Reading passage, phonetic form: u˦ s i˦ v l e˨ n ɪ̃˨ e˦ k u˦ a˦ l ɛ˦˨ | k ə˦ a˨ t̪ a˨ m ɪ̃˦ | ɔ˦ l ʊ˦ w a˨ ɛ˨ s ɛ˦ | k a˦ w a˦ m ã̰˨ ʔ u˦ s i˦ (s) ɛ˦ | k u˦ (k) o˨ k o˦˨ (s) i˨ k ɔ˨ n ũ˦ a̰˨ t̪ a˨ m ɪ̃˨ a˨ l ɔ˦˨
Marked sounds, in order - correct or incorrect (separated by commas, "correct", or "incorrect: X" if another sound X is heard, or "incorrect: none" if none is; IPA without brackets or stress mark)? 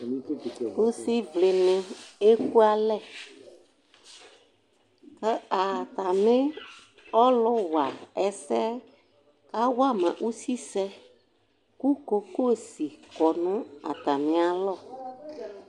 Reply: correct, correct, correct